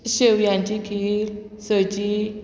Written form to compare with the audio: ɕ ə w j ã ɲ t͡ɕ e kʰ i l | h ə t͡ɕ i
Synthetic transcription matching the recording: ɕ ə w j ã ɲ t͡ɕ i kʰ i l | s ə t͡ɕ i